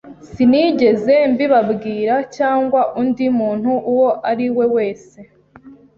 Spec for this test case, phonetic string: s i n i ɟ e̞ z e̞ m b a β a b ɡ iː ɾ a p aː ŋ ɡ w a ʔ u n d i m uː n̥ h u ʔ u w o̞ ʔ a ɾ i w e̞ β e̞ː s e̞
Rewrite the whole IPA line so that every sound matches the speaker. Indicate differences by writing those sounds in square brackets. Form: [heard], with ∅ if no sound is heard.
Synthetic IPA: s i n i ɟ e̞ z e̞ m b [i] β a b ɡ iː ɾ a [c] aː ŋ ɡ w a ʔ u n d i m uː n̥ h u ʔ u w o̞ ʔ a ɾ i w e̞ [w] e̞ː s e̞